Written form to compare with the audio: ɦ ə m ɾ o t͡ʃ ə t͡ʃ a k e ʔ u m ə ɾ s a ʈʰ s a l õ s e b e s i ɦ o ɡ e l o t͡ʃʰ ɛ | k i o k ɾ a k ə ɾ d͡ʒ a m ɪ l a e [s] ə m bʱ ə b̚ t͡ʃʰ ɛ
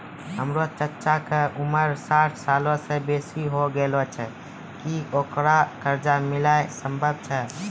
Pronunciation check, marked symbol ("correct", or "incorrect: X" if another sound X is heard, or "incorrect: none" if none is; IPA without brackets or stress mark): correct